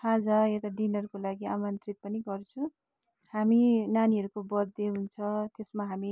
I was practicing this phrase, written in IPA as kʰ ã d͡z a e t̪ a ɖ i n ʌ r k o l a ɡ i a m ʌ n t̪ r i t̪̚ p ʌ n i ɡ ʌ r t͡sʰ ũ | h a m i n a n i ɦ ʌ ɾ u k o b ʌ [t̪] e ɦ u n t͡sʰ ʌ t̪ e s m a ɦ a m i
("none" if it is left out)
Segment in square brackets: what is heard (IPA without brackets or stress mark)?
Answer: d̪